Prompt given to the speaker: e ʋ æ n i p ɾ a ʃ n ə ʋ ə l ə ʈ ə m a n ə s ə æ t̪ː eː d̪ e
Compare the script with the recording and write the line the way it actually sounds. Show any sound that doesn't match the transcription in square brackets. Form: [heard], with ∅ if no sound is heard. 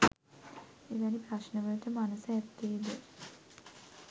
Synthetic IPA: e ʋ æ n i p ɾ a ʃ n ə ʋ ə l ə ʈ ə m a n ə s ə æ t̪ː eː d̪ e

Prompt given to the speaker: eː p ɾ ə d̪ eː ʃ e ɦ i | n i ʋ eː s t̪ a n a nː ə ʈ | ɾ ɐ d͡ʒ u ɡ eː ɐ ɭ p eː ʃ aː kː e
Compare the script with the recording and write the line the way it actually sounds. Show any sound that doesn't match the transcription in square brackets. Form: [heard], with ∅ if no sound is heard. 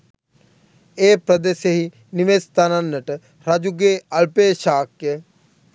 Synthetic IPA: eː p ɾ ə d̪ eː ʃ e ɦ i | n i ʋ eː s t̪ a n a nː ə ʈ | ɾ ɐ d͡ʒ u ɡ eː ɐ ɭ p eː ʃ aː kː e

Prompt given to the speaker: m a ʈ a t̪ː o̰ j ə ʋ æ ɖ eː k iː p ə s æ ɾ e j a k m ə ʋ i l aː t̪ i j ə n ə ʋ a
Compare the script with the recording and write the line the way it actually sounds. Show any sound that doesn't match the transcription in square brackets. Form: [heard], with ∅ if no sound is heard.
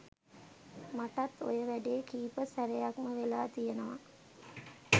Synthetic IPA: m a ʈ a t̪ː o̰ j ə ʋ æ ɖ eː k iː p ə s æ ɾ e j a k m ə ʋ [e] l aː t̪ i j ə n ə ʋ a

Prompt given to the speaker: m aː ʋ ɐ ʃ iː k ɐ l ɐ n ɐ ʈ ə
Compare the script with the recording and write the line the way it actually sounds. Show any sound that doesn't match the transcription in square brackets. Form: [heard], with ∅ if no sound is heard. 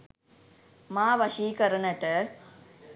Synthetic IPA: m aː ʋ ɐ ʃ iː k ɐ [ɾ] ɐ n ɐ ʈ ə

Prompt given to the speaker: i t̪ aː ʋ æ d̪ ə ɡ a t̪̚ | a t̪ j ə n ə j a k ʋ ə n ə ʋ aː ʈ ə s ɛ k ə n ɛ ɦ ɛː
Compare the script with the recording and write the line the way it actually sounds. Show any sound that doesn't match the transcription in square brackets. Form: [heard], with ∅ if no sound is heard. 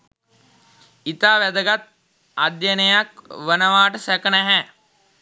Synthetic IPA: i t̪ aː ʋ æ d̪ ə ɡ a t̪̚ | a [d̪] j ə n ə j a k ʋ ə n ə ʋ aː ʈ ə s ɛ k ə n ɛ ɦ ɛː

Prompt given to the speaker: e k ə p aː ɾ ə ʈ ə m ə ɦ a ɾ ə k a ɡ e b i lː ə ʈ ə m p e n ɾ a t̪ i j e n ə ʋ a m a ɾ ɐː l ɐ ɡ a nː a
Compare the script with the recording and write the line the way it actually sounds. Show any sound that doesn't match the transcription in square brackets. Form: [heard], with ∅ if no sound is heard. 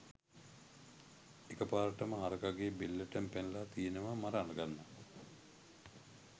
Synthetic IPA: e k ə p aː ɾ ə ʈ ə m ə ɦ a ɾ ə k a ɡ e b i lː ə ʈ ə m p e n [l] a t̪ i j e n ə ʋ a m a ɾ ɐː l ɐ ɡ a nː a

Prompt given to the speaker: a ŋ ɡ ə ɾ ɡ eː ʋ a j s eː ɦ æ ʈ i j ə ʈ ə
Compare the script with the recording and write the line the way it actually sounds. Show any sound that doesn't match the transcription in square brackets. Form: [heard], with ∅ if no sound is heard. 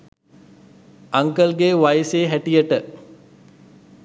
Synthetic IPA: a ŋ [k] ə [l] ɡ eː ʋ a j s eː ɦ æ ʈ i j ə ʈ ə

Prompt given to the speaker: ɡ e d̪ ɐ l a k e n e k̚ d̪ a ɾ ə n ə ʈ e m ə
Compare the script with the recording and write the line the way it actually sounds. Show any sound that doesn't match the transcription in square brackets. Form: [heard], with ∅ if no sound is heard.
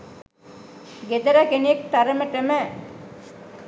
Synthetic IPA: ɡ e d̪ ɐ [ɾ] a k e n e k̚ [t̪] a ɾ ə [m] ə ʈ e m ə

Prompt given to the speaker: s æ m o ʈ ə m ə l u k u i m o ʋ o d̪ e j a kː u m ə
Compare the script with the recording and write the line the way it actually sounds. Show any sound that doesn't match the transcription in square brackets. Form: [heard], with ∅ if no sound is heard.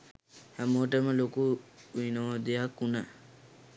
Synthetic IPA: [h] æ m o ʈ ə m ə l [o] k u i [n] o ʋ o d̪ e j a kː u [n] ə

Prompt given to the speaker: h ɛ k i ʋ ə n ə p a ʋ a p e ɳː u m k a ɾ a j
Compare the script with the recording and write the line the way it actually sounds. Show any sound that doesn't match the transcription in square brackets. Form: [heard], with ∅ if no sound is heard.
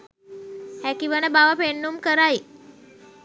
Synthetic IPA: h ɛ k i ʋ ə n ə [b] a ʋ a p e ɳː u m k [ə] ɾ a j

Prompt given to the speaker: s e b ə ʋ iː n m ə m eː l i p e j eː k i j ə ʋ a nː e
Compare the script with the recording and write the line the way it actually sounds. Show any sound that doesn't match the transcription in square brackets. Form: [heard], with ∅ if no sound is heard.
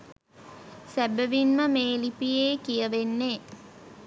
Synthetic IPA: s [æ] b ə ʋ [i] n m ə m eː l i p [i] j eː k i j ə ʋ [e] nː e

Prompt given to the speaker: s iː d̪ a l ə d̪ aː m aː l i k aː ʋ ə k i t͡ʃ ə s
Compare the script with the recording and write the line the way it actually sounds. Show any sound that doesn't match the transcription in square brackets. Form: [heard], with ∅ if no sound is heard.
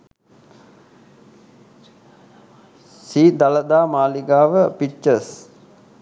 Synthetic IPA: s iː d̪ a l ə d̪ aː m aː l i [ɡ] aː ʋ ə [p] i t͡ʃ ə s

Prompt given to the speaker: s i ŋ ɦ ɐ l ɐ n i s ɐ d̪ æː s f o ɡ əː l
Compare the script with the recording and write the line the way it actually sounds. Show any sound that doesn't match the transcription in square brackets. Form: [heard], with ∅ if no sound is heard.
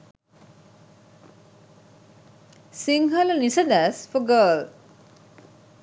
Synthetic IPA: s i ŋ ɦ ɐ l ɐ n i s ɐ d̪ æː s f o ɡ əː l

